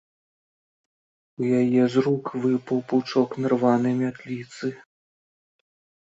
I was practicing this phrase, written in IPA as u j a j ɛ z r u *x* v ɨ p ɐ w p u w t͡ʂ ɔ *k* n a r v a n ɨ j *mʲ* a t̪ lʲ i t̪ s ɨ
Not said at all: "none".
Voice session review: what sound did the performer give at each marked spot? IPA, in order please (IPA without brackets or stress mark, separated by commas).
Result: k, k, mʲ